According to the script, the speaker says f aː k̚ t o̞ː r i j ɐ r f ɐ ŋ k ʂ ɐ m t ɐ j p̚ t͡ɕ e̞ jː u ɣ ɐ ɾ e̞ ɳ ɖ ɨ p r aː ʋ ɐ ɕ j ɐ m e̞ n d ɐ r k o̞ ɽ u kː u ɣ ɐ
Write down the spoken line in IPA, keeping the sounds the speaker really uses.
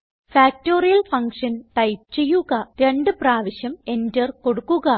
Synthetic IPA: f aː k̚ t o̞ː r i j ɐ l f ɐ ŋ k ʂ ɐ n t ɐ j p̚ t͡ɕ e̞ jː u ɣ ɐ ɾ e̞ ɳ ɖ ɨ p r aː ʋ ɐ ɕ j ɐ m e̞ n d ɐ r k o̞ ɽ u kː u ɣ ɐ